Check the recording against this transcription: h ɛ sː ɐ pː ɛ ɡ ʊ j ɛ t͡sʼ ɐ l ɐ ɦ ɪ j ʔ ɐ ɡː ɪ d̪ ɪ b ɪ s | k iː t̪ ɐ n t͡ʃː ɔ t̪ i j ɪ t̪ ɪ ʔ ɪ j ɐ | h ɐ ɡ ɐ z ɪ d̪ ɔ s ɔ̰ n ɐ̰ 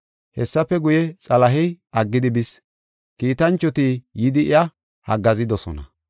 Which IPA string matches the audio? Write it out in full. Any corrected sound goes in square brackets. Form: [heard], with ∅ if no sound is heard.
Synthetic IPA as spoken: h ɛ sː ɐ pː ɛ ɡ ʊ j ɛ t͡sʼ ɐ l ɐ ɦ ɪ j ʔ ɐ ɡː ɪ d̪ ɪ b ɪ s | k iː t̪ ɐ n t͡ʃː ɔ t̪ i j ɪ [d̪] ɪ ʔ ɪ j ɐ | h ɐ ɡ ɐ z ɪ d̪ ɔ s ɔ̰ n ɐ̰